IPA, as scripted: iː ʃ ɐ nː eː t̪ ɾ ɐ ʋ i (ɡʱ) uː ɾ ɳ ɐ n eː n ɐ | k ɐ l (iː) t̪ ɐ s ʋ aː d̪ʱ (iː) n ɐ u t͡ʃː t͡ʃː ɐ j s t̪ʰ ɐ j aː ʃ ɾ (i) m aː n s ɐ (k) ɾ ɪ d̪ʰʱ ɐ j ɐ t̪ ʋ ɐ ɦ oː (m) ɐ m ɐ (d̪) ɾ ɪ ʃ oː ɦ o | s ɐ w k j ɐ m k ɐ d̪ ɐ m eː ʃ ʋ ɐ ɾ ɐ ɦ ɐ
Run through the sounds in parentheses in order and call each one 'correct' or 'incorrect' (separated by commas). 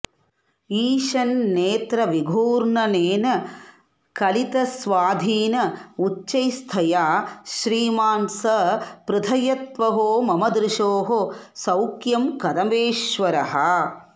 correct, incorrect, correct, incorrect, incorrect, correct, correct